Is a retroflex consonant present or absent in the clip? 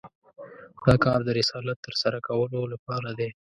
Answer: absent